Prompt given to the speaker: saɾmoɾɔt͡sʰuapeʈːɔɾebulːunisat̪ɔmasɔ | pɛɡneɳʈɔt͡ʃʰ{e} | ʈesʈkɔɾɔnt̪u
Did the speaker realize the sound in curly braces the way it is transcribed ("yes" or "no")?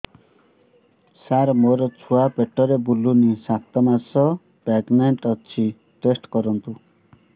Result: no